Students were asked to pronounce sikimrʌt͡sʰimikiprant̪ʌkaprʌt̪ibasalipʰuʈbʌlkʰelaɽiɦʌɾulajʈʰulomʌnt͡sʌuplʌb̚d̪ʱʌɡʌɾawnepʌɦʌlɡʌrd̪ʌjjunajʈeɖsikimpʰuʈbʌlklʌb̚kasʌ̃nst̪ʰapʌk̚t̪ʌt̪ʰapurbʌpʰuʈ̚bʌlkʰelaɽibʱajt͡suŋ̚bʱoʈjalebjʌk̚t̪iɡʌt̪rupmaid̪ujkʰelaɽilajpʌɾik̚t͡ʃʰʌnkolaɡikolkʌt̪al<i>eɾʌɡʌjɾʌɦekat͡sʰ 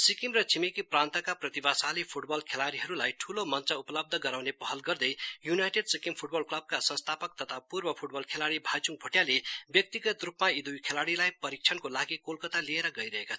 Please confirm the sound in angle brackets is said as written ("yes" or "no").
yes